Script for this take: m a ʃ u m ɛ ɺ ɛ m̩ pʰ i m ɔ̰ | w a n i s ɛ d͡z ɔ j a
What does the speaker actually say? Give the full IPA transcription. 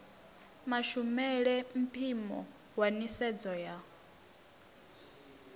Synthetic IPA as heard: m a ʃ u m ɛ ɺ ɛ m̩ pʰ i m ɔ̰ | w a n i s ɛ d͡z ɔ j a